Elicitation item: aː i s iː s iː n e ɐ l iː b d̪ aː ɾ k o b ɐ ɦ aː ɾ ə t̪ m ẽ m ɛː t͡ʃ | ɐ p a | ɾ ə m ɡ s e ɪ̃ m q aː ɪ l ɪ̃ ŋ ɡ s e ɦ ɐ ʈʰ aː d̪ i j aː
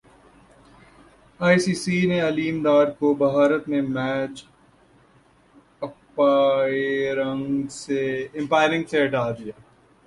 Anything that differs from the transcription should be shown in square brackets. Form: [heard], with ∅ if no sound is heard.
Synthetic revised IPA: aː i s iː s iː n e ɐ l iː [m] d̪ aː ɾ k o b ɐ ɦ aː ɾ ə t̪ m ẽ m ɛː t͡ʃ | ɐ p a | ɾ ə [ŋ] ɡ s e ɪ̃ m [p] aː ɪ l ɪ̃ ŋ ɡ s e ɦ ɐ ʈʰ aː d̪ i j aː